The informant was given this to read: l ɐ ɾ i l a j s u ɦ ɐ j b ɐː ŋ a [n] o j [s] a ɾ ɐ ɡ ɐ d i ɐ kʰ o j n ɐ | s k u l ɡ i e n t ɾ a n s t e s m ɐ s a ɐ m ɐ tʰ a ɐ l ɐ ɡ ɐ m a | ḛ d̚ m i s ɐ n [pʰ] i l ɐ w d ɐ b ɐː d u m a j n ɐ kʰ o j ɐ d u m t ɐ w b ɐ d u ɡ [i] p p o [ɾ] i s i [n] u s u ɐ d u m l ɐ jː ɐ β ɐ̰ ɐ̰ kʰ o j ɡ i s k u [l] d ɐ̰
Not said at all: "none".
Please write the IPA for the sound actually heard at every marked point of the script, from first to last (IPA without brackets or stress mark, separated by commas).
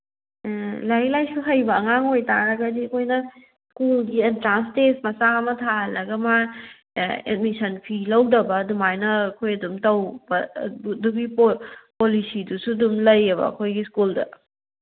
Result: ŋ, t, pʰ, i, l, d, l